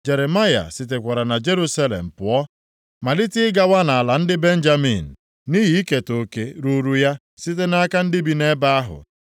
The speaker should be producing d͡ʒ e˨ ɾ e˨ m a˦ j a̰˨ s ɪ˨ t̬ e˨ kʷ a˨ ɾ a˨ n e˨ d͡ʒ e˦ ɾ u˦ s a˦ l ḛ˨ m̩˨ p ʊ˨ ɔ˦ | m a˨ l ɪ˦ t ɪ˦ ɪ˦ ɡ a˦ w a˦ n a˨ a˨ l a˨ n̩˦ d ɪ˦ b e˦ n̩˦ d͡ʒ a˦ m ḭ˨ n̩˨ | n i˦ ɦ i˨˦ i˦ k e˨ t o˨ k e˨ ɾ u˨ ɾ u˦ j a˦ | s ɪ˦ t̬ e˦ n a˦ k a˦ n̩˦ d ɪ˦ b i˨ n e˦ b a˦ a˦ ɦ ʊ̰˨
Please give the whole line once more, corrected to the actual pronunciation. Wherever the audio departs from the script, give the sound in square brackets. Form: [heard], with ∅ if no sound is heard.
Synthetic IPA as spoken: d͡ʒ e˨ ɾ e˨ m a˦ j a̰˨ s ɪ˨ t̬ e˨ kʷ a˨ ɾ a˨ n [a˨] d͡ʒ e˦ ɾ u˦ s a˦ l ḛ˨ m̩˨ p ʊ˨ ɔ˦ | m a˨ l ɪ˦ t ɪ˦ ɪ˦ ɡ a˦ w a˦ n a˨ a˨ l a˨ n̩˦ d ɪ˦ b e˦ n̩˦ d͡ʒ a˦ m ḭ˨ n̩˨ | n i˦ ɦ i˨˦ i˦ k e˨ t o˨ k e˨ ɾ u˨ ɾ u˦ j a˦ | s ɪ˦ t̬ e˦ n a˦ k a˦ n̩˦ d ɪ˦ b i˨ n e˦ b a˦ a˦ ɦ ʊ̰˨